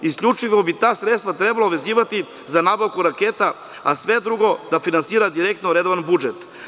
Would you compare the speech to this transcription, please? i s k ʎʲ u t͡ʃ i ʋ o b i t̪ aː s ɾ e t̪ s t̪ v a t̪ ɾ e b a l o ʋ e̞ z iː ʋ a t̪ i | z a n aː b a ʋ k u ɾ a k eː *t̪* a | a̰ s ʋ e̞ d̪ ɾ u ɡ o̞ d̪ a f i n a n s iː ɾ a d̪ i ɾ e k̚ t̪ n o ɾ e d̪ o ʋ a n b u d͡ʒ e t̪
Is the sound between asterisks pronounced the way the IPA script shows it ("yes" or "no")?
yes